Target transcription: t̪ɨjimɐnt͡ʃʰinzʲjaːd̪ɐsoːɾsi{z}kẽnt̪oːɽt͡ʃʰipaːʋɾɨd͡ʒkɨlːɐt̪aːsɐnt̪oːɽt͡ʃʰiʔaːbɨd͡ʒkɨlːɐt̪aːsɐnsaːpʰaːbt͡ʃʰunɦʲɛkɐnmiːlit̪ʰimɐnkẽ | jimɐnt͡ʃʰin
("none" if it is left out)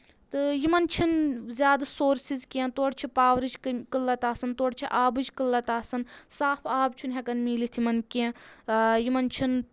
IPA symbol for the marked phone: z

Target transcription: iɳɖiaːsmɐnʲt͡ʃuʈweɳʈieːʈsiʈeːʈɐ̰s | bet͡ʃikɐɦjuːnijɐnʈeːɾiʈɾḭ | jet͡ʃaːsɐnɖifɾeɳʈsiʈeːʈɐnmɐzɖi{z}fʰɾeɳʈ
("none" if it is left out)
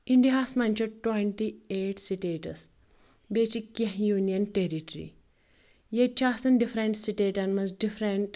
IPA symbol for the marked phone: none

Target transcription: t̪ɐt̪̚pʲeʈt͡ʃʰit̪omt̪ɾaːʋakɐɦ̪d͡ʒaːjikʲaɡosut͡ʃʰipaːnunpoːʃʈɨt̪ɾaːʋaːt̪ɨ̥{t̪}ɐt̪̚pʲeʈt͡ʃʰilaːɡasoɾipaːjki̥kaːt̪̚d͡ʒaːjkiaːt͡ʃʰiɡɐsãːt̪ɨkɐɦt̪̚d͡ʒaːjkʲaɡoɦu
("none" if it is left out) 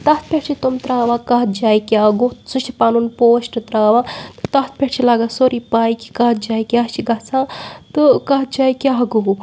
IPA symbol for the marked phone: t̪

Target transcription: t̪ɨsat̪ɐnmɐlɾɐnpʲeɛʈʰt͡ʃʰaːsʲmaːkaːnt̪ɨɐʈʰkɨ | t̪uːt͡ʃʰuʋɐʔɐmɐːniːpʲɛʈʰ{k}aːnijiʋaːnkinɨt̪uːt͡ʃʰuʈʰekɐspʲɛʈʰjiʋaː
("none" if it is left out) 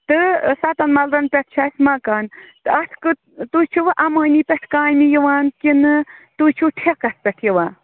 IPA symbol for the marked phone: k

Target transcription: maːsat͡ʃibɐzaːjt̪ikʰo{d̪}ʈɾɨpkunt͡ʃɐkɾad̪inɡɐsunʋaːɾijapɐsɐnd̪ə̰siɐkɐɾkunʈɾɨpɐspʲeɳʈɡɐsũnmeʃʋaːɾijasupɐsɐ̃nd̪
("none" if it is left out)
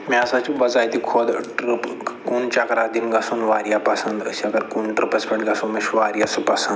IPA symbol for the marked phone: d̪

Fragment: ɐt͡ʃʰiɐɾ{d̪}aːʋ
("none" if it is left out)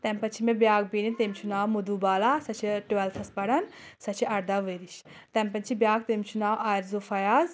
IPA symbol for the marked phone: d̪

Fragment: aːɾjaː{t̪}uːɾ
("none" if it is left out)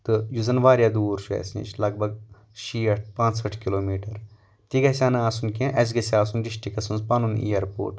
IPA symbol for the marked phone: d̪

